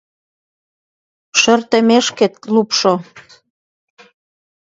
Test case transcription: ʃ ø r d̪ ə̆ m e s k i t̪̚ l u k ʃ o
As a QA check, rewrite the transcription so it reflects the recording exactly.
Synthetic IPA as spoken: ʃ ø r t̪ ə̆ m e ʃ k e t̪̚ l u p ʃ o